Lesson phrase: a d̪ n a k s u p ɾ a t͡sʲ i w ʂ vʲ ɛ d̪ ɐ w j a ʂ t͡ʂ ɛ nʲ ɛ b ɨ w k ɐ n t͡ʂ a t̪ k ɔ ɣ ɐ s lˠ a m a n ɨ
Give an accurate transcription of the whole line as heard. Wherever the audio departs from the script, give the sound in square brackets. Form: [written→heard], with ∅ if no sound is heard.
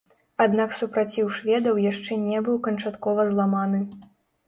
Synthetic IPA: a d̪ n a k s u p ɾ a t͡sʲ i w ʂ vʲ ɛ d̪ ɐ w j a ʂ t͡ʂ ɛ nʲ ɛ b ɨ w k ɐ n t͡ʂ a t̪ k ɔ [ɣ→v] ɐ [s→z] lˠ a m a n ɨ